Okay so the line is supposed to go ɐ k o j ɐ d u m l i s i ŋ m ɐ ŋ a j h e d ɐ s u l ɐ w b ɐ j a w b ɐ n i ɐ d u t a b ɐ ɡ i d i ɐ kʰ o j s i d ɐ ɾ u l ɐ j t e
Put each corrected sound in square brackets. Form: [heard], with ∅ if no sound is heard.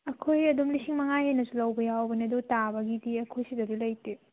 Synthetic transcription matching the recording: ɐ [kʰ] o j ɐ d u m l i s i ŋ m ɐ ŋ a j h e [n] ɐ s u l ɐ w b ɐ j a w b ɐ n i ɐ d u t a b ɐ ɡ i d i ɐ kʰ o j s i d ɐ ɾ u l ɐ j t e